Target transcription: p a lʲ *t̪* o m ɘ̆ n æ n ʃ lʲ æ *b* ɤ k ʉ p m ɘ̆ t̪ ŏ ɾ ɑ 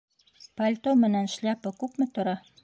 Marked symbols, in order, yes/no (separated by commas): yes, no